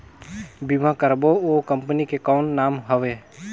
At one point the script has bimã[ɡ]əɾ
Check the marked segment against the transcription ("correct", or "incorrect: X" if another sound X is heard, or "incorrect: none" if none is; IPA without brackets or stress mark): incorrect: k